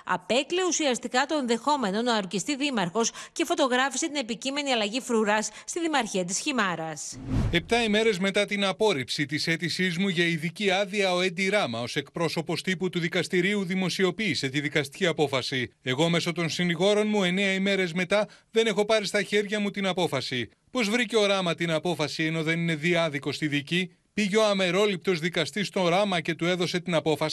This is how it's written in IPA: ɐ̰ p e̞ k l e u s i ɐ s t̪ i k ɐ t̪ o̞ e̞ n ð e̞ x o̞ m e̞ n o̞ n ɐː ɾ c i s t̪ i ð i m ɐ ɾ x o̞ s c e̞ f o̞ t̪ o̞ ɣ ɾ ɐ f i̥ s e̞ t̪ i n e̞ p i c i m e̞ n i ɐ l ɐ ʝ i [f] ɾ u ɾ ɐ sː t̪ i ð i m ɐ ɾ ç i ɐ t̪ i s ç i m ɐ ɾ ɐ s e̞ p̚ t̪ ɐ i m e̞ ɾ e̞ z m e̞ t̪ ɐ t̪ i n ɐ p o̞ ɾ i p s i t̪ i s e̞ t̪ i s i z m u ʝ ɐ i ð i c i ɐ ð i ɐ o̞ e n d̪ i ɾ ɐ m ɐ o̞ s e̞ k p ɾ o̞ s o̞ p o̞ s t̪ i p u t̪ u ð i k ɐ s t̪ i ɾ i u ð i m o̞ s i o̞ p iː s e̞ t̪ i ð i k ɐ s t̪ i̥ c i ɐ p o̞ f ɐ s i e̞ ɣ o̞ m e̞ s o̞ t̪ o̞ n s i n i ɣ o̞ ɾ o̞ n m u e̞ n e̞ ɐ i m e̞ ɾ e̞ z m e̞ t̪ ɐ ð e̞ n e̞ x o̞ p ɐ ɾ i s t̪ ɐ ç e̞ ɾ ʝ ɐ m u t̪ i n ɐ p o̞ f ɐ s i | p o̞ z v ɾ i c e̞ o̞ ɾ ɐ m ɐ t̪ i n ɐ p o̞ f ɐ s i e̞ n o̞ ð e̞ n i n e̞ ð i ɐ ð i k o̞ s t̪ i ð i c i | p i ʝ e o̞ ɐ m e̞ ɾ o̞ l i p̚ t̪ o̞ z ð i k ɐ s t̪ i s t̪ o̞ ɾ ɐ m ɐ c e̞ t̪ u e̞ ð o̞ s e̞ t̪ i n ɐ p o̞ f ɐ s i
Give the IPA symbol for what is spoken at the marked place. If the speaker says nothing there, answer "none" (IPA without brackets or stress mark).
f